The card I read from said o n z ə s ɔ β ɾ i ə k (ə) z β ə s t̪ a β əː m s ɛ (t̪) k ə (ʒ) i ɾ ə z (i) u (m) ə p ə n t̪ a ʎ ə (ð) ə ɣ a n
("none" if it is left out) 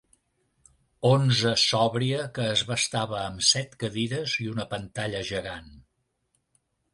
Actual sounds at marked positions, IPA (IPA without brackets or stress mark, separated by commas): əː, t̪, ð, i, n, ʒ